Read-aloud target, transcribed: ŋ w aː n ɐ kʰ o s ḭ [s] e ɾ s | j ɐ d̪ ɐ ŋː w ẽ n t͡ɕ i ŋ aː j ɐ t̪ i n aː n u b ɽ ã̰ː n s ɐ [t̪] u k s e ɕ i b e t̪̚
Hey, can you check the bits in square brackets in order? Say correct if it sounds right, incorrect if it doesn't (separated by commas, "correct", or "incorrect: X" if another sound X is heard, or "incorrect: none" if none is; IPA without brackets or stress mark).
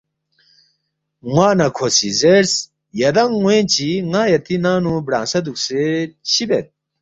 incorrect: z, incorrect: d̪